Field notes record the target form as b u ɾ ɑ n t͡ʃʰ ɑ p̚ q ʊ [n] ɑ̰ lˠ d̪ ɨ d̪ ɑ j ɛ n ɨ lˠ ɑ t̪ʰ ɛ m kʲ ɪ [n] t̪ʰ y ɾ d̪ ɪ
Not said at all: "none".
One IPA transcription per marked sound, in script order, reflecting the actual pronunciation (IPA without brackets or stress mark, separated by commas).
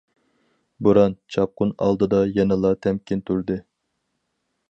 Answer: n, n